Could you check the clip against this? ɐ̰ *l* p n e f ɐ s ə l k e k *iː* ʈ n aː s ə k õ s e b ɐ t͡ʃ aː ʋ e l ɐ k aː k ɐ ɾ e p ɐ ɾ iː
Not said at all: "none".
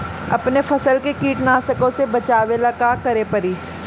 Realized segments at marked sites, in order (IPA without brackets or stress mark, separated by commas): none, iː